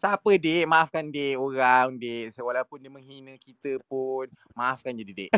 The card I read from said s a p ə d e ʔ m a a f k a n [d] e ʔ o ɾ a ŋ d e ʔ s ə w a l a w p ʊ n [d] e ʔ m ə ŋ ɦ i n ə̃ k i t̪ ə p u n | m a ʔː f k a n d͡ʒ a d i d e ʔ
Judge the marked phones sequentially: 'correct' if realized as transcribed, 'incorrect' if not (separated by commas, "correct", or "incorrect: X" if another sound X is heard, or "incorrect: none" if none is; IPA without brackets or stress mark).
correct, correct